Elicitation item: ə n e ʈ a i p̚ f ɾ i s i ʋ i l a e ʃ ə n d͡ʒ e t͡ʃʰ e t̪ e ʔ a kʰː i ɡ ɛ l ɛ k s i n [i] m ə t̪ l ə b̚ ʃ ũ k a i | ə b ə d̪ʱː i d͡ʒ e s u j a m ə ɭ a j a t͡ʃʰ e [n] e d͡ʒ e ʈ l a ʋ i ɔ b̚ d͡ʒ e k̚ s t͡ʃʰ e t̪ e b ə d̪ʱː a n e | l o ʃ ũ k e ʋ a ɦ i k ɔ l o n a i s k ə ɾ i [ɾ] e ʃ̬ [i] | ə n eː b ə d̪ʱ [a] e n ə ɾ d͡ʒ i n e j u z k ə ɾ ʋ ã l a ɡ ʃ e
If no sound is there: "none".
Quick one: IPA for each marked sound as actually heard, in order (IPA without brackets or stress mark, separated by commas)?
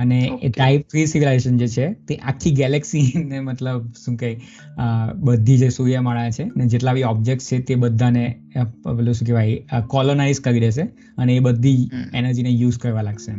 e, n, ɾ, e, i